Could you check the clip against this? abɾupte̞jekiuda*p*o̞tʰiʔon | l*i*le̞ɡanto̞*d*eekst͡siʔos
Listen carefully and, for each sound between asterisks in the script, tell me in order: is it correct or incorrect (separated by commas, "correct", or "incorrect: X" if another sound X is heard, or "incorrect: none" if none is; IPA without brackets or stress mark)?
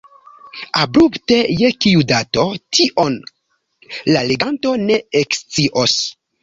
incorrect: t, incorrect: a, incorrect: n